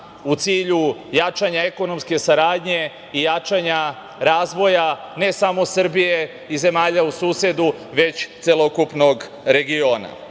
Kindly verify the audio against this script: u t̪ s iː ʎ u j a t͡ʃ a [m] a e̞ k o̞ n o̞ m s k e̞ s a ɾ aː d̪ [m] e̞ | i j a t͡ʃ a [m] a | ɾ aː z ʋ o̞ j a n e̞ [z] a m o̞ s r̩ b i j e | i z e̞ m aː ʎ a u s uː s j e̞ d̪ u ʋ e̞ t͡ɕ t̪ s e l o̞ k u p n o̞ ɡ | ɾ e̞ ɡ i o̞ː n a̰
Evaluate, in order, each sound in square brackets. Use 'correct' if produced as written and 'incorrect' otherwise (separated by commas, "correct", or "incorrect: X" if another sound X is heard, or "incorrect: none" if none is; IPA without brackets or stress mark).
incorrect: ɲ, incorrect: ɲ, incorrect: ɲ, incorrect: s